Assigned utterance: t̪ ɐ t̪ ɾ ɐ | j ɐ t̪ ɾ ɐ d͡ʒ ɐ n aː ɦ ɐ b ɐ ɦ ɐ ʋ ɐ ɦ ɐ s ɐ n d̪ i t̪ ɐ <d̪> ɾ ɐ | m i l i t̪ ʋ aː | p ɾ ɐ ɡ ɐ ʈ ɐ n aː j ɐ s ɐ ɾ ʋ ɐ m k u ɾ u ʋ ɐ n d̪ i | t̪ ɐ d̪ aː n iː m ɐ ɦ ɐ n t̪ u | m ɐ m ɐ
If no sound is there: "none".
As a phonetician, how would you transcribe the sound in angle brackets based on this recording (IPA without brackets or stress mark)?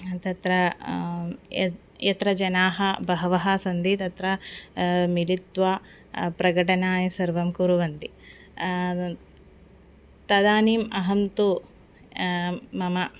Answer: t̪